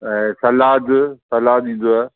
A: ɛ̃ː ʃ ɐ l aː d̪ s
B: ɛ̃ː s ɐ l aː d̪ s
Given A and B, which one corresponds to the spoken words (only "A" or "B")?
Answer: B